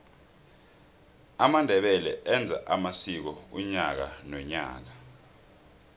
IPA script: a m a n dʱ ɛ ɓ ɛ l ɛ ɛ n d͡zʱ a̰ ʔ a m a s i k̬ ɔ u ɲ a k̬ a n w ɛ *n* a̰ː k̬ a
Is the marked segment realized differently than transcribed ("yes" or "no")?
yes